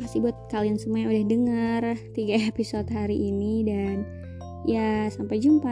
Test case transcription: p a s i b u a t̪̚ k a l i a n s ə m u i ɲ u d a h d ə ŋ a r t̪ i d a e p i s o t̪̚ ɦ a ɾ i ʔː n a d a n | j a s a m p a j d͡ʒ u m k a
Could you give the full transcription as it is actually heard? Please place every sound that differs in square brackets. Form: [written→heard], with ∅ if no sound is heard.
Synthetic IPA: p a s i b u a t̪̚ k a l i a n s ə m u [i→a] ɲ u d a h d ə ŋ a r t̪ i [d→ɡ] a e p i s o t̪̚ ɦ a ɾ i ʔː n [a→i] d a n | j a s a m p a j d͡ʒ u m [k→p] a